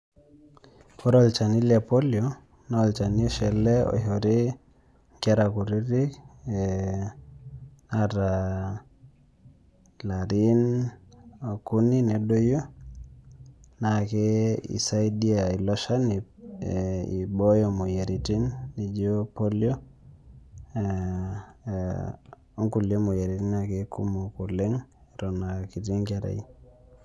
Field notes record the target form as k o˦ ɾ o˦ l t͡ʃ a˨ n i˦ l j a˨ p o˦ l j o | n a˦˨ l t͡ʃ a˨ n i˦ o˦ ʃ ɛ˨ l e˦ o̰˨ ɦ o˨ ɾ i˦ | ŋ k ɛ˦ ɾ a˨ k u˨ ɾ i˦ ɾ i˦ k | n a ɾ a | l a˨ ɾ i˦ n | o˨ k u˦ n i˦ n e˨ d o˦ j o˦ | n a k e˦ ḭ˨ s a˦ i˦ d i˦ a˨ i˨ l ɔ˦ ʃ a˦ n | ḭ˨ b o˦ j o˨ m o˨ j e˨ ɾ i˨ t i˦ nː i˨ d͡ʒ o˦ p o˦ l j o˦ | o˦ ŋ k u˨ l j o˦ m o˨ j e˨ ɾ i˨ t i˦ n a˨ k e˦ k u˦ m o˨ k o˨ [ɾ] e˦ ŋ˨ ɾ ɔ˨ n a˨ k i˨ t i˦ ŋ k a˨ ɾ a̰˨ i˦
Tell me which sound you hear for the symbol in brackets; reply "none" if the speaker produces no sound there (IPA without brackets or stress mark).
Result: l